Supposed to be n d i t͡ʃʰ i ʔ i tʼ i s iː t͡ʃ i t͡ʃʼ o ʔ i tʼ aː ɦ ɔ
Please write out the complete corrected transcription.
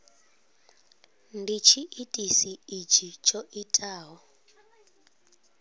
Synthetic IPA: n d i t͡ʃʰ i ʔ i tʼ i s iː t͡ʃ i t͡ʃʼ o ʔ i tʼ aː ɦ ɔ